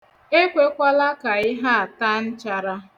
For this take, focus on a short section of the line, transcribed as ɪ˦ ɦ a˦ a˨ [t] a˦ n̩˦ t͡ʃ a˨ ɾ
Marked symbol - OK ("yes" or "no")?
yes